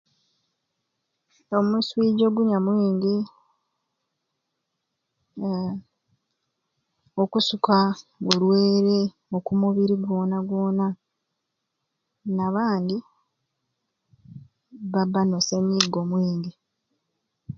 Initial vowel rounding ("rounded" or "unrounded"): rounded